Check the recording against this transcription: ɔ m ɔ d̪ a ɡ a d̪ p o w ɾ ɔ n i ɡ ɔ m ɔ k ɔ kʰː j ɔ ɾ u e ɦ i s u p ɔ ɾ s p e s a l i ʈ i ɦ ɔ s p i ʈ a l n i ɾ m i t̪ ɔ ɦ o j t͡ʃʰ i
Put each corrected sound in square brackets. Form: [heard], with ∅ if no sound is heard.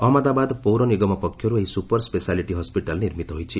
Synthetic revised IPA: ɔ m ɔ d̪ a [b] a d̪ p o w ɾ ɔ n i ɡ ɔ m ɔ [p] ɔ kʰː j ɔ ɾ u e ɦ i s u p ɔ ɾ s p e s a l i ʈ i ɦ ɔ s p i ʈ a l n i ɾ m i t̪ ɔ ɦ o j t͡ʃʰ i

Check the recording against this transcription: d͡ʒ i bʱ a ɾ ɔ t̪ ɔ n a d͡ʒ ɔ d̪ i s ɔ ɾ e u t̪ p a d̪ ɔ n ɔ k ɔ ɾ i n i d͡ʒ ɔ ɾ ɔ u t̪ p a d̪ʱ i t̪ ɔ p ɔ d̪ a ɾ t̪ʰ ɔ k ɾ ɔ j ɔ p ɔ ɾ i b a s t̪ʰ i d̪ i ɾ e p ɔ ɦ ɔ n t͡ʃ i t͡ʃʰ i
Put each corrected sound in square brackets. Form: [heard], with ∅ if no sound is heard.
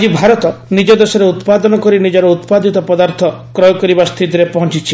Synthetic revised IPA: d͡ʒ i bʱ a ɾ ɔ t̪ ɔ n [i] d͡ʒ ɔ d̪ [e] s ɔ ɾ e u t̪ p a d̪ ɔ n ɔ k ɔ ɾ i n i d͡ʒ ɔ ɾ ɔ u t̪ p a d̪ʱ i t̪ ɔ p ɔ d̪ a ɾ t̪ʰ ɔ k ɾ ɔ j ɔ [k] ɔ ɾ i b a s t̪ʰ i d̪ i ɾ e p ɔ ɦ ɔ n t͡ʃ i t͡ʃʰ i

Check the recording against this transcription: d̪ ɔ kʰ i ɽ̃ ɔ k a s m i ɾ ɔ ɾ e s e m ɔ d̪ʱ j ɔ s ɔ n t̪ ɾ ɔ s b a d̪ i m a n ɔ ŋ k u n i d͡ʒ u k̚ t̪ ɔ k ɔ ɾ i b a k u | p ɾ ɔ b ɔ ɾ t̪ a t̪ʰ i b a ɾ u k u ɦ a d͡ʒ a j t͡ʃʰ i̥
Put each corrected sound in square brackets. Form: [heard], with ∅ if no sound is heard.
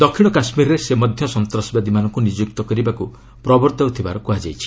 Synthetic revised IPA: d̪ ɔ kʰ i ɽ̃ ɔ k a s m i ɾ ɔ ɾ e s e m ɔ d̪ʱ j ɔ s ɔ n t̪ ɾ ɔ s b a d̪ i m a n ɔ ŋ k u n i d͡ʒ u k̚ t̪ ɔ k ɔ ɾ i b a k u | p ɾ ɔ b ɔ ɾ t̪ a t̪ʰ i b a ɾ [ɔ] k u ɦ a d͡ʒ a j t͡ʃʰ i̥

